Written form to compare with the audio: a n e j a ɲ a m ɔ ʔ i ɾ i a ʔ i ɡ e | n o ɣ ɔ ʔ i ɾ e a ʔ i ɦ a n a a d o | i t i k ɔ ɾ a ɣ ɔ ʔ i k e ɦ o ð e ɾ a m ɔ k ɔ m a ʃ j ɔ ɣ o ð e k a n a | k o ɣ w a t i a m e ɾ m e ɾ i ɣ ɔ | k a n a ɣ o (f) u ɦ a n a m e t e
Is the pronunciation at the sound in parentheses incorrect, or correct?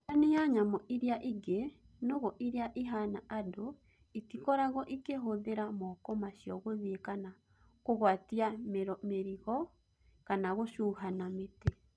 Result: incorrect